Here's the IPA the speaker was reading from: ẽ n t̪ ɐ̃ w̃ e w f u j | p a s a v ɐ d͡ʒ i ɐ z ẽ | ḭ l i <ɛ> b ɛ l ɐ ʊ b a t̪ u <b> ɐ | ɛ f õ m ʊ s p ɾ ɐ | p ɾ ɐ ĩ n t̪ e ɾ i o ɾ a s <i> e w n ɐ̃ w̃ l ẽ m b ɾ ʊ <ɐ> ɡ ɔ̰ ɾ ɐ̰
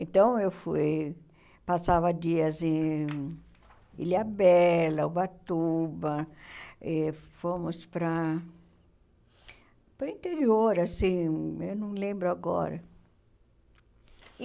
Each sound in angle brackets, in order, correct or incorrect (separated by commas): incorrect, correct, incorrect, incorrect